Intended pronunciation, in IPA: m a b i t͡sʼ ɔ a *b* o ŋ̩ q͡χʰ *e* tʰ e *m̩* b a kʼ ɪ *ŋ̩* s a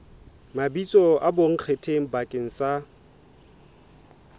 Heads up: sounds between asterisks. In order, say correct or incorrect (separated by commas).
correct, correct, incorrect, correct